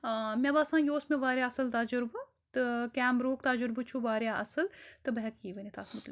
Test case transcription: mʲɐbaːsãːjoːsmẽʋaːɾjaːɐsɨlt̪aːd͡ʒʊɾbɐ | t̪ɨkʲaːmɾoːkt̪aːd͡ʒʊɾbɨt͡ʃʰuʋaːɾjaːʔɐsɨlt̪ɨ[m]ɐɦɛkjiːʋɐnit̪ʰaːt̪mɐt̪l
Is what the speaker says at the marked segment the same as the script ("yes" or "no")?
no